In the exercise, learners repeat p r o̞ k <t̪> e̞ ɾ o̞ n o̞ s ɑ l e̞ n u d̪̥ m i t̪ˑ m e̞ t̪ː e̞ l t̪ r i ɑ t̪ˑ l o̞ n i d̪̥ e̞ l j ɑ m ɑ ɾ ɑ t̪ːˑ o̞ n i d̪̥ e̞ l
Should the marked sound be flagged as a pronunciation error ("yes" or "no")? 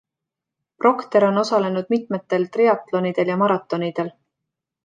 no